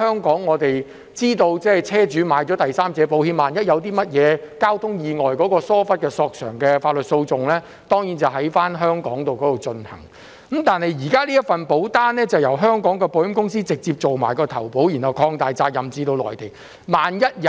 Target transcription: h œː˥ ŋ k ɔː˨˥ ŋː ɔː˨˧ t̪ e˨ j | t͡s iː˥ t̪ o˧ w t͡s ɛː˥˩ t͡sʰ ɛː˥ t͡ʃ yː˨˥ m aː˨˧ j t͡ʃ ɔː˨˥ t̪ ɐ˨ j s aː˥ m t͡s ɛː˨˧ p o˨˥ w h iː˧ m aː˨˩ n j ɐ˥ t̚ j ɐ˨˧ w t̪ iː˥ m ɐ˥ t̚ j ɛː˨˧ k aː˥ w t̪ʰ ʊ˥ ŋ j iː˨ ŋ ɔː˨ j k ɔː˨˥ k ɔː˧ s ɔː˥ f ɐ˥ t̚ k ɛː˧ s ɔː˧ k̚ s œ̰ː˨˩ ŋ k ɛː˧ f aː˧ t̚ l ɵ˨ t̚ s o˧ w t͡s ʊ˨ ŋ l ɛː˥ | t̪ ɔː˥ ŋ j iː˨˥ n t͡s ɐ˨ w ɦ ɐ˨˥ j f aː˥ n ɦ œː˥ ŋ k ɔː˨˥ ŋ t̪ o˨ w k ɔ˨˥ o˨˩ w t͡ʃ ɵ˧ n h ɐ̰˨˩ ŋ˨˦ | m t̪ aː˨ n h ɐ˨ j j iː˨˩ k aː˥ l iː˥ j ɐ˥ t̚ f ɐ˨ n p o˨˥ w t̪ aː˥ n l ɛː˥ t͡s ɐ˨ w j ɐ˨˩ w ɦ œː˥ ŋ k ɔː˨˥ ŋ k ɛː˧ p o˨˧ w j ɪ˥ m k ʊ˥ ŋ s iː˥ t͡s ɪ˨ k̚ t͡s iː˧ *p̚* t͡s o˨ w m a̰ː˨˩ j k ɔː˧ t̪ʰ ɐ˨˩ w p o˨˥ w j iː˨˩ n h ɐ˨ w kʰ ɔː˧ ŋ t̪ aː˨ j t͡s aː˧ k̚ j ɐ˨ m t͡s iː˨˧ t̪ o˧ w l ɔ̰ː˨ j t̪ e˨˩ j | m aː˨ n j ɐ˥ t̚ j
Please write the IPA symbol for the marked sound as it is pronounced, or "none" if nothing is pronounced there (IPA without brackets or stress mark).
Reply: p̚